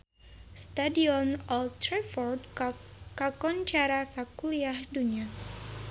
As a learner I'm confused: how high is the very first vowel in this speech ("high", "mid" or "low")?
low